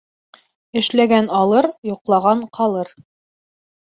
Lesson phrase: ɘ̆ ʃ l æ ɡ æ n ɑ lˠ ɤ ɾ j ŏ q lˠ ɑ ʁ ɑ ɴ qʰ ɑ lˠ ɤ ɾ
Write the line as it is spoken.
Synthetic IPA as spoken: ɘ̆ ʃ l æ ɡ æ n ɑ lˠ ɤ ɾ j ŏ q lˠ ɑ ʁ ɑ ɴ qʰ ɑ lˠ ɤ ɾ